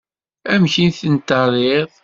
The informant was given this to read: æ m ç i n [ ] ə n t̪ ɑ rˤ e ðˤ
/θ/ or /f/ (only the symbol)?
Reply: θ